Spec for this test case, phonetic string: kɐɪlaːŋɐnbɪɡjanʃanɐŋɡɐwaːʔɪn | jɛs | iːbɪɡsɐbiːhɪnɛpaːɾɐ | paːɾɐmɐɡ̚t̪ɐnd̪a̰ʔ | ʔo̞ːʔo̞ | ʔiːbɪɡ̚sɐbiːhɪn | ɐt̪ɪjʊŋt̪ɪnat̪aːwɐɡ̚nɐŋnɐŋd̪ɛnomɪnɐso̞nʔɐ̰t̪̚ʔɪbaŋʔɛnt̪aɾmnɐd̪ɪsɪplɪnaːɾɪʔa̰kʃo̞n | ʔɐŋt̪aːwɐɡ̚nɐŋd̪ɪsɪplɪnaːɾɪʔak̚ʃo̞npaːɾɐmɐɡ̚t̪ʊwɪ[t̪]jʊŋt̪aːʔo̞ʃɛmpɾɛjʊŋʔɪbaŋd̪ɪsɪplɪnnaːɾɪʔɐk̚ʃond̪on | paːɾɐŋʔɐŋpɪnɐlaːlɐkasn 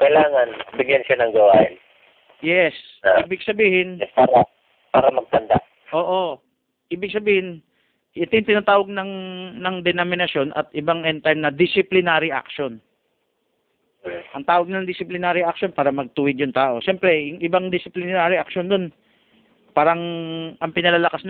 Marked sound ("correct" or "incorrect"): incorrect